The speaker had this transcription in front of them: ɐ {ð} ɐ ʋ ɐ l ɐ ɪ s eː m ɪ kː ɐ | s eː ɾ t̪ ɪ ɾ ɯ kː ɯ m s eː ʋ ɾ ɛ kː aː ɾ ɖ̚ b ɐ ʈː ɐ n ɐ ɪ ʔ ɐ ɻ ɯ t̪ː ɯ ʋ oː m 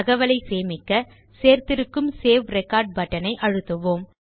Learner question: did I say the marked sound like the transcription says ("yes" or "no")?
no